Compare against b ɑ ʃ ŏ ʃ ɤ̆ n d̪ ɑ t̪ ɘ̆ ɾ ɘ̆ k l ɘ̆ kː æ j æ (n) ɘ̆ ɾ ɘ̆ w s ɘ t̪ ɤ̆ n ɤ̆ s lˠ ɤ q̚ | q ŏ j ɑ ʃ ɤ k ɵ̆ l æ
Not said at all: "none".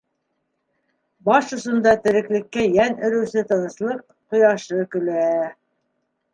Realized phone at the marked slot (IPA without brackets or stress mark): n